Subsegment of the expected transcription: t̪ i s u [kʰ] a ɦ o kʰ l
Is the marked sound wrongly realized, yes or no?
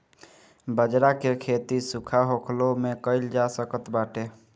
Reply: no